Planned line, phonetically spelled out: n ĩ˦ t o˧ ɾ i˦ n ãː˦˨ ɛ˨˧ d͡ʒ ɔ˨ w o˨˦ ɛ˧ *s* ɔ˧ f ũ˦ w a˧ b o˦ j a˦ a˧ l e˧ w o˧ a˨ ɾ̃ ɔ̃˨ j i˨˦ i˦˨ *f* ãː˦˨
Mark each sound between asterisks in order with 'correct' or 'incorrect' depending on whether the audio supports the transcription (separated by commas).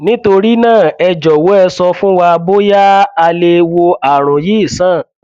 correct, incorrect